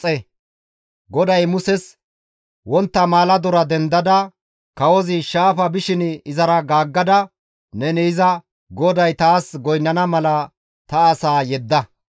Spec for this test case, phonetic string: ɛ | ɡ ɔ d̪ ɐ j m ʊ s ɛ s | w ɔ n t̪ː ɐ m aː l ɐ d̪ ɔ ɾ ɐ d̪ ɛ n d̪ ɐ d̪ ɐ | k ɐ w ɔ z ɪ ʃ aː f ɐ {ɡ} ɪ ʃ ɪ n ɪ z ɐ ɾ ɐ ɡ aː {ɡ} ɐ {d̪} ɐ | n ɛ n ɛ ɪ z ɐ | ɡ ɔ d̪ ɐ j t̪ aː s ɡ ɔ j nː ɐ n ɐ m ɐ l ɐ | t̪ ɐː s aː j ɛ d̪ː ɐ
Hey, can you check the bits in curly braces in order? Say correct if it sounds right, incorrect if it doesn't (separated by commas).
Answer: incorrect, incorrect, correct